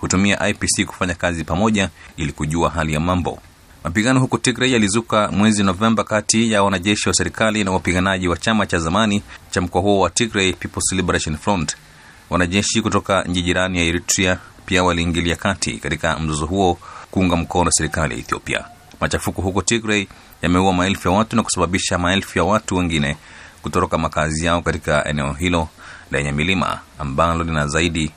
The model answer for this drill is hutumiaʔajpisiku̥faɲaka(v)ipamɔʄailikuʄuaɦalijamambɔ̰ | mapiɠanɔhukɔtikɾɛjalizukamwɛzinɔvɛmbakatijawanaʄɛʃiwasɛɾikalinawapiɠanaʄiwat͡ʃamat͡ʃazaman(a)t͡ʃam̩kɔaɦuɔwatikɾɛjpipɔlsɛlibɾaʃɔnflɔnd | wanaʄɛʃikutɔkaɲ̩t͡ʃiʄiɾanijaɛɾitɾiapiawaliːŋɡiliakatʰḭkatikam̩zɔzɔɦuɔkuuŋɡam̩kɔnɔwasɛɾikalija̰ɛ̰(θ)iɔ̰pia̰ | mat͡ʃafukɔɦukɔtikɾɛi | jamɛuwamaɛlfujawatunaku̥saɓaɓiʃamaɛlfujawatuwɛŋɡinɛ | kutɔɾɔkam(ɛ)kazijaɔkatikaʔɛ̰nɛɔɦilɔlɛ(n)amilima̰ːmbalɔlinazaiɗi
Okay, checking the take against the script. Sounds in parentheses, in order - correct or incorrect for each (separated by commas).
incorrect, incorrect, correct, incorrect, incorrect